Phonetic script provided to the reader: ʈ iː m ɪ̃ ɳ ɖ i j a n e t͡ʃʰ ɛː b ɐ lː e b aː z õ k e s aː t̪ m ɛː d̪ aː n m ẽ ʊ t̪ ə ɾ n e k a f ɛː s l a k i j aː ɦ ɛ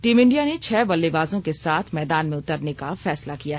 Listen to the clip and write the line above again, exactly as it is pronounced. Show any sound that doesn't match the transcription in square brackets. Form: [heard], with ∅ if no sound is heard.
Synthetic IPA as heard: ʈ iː m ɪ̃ ɳ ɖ i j a n e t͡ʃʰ ɛː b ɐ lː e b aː z õ k e s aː [t̪ʰ] m ɛː d̪ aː n m ẽ ʊ t̪ ə ɾ n e k a f ɛː s l a k i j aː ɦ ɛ